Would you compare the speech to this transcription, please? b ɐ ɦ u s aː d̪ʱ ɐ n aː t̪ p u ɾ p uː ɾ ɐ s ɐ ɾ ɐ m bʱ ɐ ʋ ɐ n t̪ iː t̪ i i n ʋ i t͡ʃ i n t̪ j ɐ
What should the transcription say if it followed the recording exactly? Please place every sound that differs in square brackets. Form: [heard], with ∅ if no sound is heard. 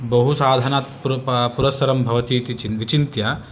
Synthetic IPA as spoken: b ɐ ɦ u s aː d̪ʱ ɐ n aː t̪ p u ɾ p [u] ɾ ɐ s ɐ ɾ ɐ m bʱ ɐ ʋ ɐ [∅] t̪ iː t̪ i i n ʋ i t͡ʃ i n t̪ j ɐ